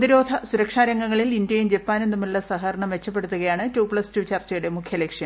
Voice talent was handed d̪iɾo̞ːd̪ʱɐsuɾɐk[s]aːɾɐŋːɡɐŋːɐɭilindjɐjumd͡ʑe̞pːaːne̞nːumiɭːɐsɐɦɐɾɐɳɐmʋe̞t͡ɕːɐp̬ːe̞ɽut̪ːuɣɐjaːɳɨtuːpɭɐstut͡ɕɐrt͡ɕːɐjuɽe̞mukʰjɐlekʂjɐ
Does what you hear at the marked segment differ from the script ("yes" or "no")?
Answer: yes